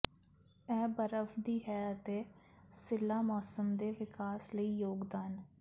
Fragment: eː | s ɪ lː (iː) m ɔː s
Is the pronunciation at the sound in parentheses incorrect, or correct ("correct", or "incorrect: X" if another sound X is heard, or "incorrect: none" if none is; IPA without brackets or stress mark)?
incorrect: aː